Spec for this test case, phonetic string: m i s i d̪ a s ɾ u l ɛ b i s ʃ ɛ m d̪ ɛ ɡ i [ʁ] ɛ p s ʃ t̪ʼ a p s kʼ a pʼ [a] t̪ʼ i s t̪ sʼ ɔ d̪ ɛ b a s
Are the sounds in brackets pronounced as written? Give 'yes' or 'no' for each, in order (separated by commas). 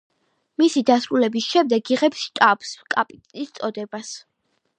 yes, no